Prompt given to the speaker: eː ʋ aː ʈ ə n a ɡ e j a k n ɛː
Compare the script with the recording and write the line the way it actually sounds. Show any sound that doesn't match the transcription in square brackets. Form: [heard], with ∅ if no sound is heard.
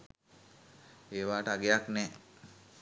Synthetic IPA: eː ʋ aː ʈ ə [∅] a ɡ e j a k n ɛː

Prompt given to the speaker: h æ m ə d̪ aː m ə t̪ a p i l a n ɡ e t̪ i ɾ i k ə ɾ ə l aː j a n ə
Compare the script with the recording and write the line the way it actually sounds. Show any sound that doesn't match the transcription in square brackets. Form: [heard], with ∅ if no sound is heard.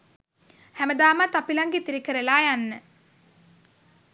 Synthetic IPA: h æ m ə d̪ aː m [a] t̪ a p i l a [ŋ] ɡ e t̪ i ɾ i k ə ɾ ə l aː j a [nː] ə

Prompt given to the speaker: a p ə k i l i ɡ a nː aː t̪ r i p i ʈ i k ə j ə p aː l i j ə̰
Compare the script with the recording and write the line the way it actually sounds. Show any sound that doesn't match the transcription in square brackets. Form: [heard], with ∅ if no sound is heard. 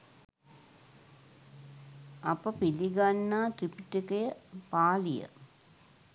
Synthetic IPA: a p ə [p] i l i ɡ a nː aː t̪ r i p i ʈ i k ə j ə p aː l i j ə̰

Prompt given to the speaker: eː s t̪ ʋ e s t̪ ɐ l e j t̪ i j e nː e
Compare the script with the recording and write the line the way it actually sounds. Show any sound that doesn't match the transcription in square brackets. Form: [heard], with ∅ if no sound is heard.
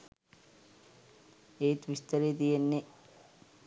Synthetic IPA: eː [∅] t̪ ʋ [i] s t̪ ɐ [ɾ] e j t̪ i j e nː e

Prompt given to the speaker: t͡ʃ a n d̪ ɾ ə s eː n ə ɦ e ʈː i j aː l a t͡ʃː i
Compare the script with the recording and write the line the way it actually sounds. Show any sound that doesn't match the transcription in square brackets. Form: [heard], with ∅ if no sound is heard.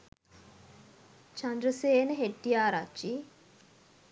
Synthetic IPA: t͡ʃ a n d̪ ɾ ə s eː n ə ɦ e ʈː i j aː [ɾ] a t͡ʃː i

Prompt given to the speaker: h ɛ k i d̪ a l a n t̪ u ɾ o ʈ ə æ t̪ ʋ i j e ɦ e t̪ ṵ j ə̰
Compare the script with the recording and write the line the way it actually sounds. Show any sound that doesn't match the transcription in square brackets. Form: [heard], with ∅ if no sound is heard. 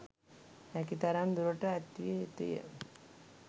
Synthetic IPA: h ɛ k i [t̪] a [ɾ] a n [d̪] u ɾ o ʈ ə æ t̪ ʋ i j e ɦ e t̪ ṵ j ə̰

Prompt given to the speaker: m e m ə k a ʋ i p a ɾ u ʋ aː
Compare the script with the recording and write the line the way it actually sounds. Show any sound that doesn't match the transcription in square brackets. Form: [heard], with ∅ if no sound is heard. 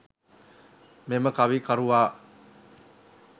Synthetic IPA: m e m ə k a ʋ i [k] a ɾ u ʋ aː

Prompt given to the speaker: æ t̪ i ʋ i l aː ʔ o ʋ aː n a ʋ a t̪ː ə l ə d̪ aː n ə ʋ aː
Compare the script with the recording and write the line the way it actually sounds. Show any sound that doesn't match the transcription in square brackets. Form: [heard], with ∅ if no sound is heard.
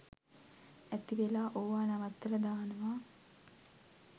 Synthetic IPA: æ t̪ i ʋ [e] l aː ʔ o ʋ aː n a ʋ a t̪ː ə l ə d̪ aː n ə ʋ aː

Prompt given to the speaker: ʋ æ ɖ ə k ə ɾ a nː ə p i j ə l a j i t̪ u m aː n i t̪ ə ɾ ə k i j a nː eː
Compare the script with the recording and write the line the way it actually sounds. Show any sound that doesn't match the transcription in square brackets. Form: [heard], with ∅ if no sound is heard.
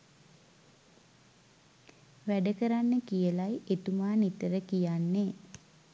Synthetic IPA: ʋ æ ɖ ə k ə ɾ a nː ə [k] i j ə l a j [e] t̪ u m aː n i t̪ ə ɾ ə k i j a nː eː

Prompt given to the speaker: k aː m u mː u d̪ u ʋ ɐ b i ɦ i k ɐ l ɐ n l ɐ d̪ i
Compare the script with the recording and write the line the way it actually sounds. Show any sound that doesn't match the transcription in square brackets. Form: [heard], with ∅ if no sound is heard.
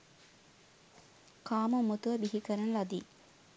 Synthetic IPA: k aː m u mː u [t̪] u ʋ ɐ b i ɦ i k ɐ [ɾ] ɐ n l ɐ d̪ i

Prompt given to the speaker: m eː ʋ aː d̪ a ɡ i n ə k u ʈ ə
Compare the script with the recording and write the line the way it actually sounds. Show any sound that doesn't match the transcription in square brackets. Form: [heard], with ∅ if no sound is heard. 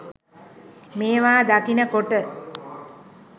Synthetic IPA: m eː ʋ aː d̪ a [k] i n ə k [o] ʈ ə

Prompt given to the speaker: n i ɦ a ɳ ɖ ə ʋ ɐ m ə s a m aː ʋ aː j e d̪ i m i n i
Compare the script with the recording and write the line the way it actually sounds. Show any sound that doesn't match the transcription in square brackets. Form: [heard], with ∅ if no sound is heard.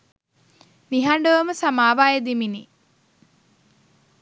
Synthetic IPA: n i ɦ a ɳ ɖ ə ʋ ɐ m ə s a m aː ʋ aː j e d̪ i m i n i

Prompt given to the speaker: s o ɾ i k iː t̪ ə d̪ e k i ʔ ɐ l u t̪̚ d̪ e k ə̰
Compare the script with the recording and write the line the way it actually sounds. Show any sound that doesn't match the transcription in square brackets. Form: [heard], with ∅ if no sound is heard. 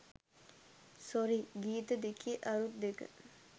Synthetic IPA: s o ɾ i [ɡ] iː t̪ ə d̪ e k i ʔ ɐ [ɾ] u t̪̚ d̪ e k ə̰

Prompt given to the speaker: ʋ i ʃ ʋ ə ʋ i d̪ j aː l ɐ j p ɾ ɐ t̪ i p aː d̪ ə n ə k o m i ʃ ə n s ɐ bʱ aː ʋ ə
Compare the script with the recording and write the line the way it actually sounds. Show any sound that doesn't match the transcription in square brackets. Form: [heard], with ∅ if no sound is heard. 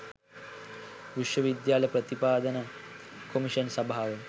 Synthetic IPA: ʋ i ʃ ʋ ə ʋ i d̪ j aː l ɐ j p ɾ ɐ t̪ i p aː d̪ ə n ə k o m i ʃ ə n s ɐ bʱ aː ʋ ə

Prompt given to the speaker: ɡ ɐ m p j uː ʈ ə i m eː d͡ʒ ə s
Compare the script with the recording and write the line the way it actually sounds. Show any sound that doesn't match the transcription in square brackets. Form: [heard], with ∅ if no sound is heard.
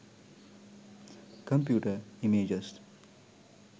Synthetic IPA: [k] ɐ m p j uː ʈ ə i m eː d͡ʒ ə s

